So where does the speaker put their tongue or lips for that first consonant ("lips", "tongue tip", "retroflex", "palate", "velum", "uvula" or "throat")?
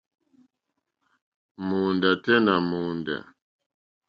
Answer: lips